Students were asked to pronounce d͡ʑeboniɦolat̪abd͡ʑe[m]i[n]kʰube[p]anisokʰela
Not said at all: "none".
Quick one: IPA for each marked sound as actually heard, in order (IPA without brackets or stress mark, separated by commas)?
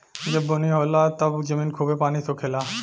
m, n, p